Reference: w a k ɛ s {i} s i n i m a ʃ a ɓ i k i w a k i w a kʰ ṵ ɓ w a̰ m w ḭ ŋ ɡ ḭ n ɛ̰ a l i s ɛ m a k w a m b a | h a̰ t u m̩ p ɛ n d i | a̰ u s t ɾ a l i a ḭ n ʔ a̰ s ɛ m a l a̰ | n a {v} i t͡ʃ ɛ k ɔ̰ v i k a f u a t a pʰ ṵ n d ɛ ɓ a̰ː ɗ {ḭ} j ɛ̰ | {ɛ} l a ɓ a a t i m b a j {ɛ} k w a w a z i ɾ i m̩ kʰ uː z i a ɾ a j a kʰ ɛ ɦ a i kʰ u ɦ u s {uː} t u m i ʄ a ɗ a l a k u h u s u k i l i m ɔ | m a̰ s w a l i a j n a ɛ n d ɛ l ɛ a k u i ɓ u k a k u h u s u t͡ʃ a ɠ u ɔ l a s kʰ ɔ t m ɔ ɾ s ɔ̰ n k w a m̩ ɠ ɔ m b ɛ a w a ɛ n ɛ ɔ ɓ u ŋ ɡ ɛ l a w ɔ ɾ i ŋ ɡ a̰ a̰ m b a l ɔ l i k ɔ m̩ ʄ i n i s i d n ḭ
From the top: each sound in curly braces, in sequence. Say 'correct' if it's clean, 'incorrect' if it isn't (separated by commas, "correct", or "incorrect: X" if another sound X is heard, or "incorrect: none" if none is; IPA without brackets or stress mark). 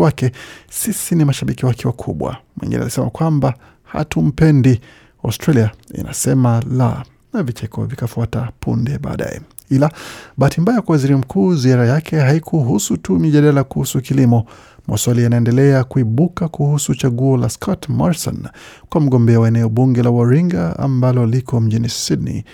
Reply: correct, correct, incorrect: a̰, incorrect: i, incorrect: a, incorrect: u